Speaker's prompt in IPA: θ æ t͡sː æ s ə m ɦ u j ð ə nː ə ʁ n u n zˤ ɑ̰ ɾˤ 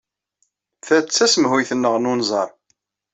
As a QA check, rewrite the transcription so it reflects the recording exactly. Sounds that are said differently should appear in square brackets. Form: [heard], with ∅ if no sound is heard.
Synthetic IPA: θ æ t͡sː æ s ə m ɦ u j [θ] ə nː ə ʁ n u n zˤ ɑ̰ ɾˤ

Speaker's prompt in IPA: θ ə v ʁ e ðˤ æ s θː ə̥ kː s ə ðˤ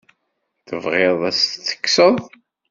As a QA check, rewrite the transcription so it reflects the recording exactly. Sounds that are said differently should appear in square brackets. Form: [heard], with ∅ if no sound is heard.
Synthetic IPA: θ ə v ʁ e ðˤ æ s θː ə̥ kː s ə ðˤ

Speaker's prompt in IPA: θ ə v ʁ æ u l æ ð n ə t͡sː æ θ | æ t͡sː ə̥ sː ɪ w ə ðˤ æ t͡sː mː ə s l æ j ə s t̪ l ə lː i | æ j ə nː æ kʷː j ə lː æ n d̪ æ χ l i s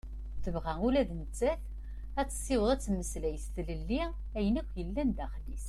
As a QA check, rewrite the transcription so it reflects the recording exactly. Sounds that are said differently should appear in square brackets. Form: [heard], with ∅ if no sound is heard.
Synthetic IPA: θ ə v ʁ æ u l æ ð n ə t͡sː æ θ | æ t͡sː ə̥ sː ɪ w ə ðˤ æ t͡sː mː ə s l æ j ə s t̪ l ə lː i | æ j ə [n] æ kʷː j ə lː æ n d̪ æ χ l i s

